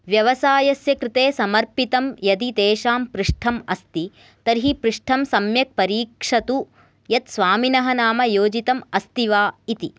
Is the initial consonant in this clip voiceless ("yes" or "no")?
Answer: no